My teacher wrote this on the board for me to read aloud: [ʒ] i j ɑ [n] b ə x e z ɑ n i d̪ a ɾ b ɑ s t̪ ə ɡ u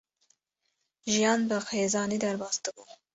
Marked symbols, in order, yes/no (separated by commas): yes, yes